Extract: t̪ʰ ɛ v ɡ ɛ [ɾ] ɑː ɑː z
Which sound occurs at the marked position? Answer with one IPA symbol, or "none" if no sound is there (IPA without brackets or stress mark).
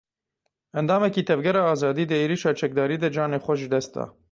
ɾ